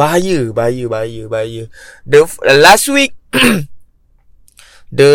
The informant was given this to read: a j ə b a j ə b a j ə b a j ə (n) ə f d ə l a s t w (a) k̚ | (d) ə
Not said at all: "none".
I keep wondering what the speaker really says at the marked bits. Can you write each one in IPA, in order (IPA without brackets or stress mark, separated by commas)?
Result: d, i, d